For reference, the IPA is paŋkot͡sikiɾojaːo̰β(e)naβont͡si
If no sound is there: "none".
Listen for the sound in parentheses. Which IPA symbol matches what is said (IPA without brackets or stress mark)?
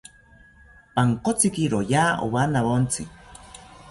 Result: a